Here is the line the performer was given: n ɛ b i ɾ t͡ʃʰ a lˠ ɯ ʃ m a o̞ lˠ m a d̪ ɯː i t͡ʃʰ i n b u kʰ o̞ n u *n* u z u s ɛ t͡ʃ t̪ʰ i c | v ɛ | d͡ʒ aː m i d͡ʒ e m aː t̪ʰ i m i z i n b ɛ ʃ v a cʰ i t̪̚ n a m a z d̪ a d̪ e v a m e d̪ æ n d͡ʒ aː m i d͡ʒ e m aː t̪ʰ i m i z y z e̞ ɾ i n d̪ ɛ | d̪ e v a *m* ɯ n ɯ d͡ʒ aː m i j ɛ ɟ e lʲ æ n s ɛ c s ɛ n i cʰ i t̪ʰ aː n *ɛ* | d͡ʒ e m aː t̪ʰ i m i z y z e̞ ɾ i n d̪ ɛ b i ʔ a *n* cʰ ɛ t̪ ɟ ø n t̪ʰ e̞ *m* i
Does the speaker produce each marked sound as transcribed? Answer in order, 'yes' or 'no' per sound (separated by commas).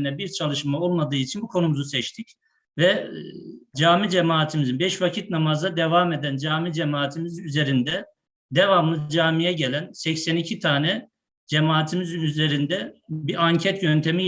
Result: no, yes, yes, no, yes